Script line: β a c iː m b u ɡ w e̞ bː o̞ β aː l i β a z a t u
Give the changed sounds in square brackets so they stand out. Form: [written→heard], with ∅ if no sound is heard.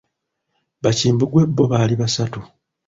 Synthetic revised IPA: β a c iː m b u ɡ w e̞ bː o̞ β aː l i β a [z→s] a t u